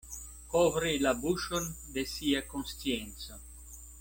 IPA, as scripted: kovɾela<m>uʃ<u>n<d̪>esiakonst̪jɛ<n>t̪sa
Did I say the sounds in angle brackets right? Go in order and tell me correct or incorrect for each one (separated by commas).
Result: incorrect, incorrect, correct, correct